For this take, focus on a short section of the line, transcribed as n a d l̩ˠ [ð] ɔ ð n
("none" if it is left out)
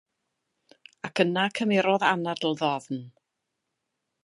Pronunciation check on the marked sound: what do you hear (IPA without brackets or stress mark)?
ð